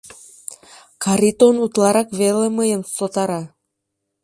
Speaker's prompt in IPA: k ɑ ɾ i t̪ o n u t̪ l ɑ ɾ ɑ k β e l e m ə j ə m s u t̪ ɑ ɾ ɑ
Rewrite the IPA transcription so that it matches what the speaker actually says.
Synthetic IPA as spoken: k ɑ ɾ i t̪ o n u t̪ l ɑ ɾ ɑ k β e l e m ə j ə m s o t̪ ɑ ɾ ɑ